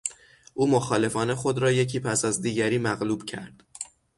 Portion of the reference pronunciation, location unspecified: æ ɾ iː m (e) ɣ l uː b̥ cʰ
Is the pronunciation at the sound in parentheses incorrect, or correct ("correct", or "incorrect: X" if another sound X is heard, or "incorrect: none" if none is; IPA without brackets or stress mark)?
incorrect: æ